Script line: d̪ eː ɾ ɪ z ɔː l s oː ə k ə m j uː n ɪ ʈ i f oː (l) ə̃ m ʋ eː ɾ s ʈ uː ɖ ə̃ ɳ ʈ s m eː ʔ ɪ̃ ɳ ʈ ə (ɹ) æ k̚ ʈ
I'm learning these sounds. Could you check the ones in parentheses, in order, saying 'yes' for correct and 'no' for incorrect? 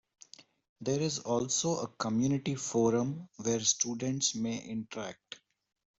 no, no

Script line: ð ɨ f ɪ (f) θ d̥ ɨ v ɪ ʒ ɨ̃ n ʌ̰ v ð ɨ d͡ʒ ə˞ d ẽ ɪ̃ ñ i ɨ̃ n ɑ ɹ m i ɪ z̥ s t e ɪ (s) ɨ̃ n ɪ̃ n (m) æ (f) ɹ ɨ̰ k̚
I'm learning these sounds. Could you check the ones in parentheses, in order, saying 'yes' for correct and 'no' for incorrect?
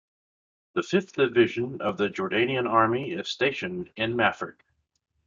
yes, no, yes, yes

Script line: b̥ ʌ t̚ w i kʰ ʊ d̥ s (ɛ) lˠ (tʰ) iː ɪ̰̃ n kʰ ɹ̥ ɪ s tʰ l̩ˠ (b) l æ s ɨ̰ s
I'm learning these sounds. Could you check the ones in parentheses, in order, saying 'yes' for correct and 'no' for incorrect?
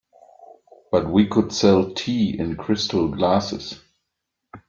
yes, yes, no

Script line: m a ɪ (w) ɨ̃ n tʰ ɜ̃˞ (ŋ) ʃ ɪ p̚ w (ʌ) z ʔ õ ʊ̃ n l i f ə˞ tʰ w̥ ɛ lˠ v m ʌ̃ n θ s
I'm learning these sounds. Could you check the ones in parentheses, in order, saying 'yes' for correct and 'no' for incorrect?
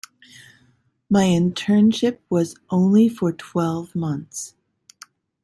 no, no, yes

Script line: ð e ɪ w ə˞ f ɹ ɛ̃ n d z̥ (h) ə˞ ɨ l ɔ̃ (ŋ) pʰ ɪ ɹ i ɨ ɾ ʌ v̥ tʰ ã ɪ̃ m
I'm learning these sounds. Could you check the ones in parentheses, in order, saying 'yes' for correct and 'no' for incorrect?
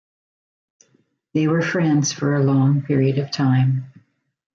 no, yes

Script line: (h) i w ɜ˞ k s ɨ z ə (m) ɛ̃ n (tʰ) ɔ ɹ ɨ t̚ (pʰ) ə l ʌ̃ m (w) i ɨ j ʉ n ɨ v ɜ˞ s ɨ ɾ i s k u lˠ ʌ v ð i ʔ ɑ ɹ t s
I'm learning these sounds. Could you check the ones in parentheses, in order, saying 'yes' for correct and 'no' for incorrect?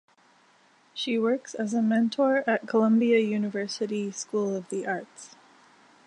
no, yes, yes, no, no

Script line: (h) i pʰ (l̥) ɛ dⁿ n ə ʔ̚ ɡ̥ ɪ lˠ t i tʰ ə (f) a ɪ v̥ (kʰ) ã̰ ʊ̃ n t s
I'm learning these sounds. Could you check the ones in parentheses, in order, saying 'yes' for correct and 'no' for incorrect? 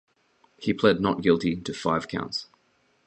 yes, yes, yes, yes

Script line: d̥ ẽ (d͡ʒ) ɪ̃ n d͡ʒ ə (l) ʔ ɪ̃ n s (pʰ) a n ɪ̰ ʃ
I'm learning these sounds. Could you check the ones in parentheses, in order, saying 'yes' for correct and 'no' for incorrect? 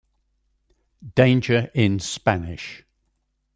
no, no, no

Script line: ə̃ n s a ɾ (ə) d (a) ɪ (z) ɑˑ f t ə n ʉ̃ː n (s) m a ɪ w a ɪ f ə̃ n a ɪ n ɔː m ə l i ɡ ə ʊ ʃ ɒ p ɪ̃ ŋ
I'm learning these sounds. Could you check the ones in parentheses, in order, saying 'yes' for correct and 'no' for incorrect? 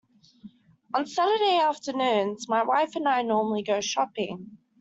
yes, no, no, no

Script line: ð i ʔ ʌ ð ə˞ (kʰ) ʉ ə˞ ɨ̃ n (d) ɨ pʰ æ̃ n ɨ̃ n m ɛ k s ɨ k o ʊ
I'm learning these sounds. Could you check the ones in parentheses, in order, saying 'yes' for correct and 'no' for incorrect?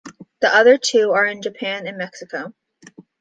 no, no

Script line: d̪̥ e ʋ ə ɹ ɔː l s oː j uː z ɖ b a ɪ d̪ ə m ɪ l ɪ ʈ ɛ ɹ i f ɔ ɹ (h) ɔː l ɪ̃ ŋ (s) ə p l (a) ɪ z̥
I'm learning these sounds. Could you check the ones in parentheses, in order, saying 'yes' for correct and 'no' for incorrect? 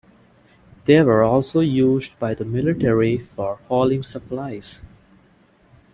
yes, yes, yes

